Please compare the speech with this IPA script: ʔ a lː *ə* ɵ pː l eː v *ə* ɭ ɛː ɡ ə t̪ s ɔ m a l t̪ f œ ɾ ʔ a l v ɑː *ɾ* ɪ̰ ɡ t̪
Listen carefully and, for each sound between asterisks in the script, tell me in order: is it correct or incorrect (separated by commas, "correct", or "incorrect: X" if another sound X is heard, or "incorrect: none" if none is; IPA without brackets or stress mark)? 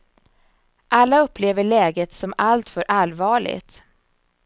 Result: incorrect: a, correct, incorrect: ɭ